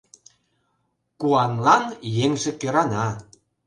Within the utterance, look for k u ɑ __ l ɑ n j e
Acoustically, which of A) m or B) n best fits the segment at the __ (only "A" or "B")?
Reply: B